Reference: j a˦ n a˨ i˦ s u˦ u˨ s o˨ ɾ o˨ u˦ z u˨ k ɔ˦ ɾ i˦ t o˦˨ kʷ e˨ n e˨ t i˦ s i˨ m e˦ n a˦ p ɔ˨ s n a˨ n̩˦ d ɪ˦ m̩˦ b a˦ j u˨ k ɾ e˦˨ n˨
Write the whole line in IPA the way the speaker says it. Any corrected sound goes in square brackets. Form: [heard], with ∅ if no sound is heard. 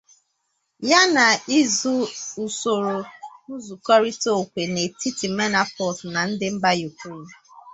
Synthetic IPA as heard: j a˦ n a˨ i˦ [z] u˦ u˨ s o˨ ɾ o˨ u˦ z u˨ k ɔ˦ ɾ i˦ t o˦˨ kʷ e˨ n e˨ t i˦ [t] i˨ m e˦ n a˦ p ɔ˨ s n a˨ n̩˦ d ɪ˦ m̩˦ b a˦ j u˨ k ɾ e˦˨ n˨